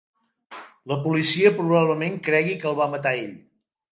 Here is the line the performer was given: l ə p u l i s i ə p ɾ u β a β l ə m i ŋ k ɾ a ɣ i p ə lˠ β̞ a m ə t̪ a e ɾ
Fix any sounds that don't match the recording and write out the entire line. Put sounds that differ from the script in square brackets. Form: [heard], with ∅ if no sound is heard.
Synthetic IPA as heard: l ə p u l i s i ə p ɾ u β a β l ə m [e] ŋ k ɾ [ɛ] ɣ i [k] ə lˠ β̞ a m ə t̪ a e [ʎ]